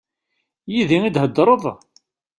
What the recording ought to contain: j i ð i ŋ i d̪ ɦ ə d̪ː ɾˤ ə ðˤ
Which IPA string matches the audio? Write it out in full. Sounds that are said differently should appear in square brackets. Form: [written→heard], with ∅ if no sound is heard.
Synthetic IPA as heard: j i ð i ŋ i d̪ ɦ ə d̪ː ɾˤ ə ðˤ